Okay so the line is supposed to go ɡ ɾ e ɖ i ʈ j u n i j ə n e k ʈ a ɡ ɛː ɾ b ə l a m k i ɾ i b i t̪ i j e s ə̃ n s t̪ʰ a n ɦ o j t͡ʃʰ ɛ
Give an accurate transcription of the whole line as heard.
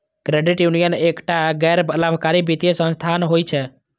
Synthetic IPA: k ɾ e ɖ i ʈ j u n i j ə n e k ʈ a ɡ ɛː ɾ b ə l a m k a ɾ i b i t̪ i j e s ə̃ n s t̪ʰ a n ɦ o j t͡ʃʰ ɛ